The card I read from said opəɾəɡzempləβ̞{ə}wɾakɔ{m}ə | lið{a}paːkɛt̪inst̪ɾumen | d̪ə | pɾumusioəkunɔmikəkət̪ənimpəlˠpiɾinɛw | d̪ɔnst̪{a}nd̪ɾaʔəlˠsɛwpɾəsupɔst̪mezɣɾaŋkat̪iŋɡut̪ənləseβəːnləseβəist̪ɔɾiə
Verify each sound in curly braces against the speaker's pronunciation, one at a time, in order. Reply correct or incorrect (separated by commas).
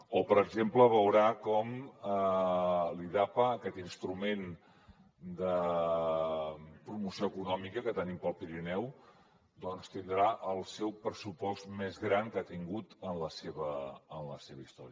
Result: correct, correct, correct, incorrect